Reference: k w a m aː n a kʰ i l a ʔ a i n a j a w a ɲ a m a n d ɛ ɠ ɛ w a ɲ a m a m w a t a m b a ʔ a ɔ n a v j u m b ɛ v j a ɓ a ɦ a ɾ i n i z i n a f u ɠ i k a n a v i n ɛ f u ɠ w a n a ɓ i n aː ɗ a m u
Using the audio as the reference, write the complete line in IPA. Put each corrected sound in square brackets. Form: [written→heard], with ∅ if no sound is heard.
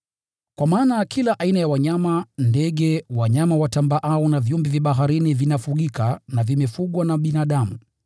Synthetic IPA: k w a m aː n a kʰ i l a ʔ a i n a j a w a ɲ a m a n d ɛ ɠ ɛ w a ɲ a m a [m→∅] w a t a m b a ʔ a ɔ n a v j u m b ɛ v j a ɓ a ɦ a ɾ i n i [z→v] i n a f u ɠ i k a n a v i [n→m] ɛ f u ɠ w a n a ɓ i n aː ɗ a m u